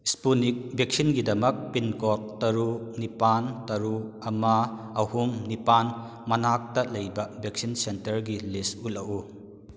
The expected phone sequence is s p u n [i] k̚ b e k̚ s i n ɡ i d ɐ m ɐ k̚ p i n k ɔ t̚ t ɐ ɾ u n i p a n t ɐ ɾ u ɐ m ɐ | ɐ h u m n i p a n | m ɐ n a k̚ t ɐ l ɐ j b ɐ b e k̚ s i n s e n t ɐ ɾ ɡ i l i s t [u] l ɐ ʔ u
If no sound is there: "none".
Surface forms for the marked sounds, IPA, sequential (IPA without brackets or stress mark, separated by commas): i, u